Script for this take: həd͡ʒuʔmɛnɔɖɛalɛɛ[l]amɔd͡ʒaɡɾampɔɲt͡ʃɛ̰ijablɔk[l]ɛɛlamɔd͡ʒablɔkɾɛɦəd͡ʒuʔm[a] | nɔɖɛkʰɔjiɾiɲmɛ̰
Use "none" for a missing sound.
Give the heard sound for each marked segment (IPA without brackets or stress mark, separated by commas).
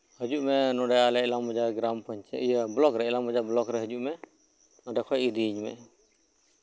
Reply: l, ɾ, ɛ